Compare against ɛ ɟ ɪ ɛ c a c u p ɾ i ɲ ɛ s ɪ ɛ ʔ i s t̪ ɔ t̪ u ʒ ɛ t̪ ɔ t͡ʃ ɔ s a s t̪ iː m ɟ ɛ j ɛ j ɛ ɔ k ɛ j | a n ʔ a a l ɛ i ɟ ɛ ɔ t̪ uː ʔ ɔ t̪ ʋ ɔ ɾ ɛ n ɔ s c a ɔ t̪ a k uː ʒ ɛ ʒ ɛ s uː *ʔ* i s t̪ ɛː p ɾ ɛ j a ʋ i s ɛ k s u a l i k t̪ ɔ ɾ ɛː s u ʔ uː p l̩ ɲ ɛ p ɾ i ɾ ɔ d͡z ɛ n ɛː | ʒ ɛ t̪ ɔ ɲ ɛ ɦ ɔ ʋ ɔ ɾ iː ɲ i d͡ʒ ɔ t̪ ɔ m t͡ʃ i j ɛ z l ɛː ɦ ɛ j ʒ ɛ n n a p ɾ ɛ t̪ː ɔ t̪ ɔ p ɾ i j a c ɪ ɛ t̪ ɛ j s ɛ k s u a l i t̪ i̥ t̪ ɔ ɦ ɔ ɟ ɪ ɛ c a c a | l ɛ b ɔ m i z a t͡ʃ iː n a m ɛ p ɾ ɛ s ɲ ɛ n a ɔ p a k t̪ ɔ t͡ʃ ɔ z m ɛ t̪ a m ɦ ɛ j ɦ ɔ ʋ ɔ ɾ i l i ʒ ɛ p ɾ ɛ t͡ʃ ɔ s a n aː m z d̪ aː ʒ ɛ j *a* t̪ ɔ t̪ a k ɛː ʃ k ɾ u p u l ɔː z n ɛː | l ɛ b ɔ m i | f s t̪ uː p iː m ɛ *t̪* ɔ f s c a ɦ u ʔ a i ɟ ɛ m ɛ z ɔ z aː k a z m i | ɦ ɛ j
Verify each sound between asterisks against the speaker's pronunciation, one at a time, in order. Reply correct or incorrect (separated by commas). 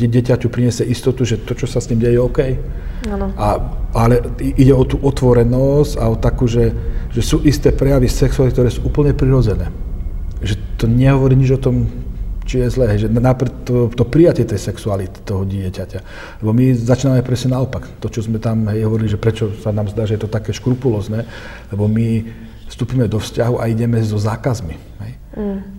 correct, incorrect, incorrect